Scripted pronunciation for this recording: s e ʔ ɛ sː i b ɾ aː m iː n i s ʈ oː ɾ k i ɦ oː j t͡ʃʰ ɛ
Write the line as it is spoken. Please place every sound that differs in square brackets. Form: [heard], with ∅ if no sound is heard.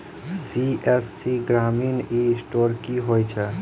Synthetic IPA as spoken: s [i] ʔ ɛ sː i [ɡ] ɾ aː m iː n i s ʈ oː ɾ k i ɦ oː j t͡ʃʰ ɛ